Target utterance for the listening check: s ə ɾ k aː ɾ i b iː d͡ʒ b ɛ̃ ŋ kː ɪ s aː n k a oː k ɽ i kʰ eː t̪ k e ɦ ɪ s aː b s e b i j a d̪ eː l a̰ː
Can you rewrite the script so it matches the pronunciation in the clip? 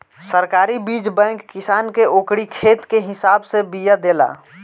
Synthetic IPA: s ə ɾ k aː ɾ i b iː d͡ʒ b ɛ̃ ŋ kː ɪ s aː n k e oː k ɽ i kʰ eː t̪ k e ɦ ɪ s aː b s e b i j a d̪ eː l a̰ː